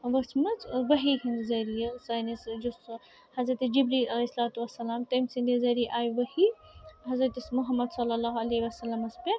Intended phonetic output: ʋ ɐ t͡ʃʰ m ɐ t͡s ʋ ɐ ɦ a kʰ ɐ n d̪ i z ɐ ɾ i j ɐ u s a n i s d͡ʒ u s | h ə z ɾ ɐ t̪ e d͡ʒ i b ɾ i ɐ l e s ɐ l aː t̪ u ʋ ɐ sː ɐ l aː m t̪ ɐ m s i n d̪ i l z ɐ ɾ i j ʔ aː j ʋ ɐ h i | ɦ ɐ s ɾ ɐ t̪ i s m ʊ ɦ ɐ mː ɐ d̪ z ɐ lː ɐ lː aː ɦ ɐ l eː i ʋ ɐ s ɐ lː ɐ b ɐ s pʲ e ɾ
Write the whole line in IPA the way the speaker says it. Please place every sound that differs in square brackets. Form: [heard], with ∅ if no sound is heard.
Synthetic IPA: ʋ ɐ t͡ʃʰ m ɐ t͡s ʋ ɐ ɦ [i] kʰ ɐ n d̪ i z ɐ ɾ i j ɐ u s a n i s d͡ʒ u s | h [ɐ] z ɾ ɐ t̪ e d͡ʒ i b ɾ i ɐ l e s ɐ l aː t̪ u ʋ ɐ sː ɐ l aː m t̪ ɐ m s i n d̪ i [∅] z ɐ ɾ i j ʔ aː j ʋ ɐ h i | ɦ ɐ [z] ɾ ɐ t̪ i s m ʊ ɦ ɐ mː ɐ d̪ [s] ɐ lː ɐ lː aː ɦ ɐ l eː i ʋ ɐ s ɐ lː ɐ [m] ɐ s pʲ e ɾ